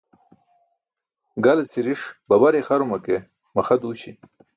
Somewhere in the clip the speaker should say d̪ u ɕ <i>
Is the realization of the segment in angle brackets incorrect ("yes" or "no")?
no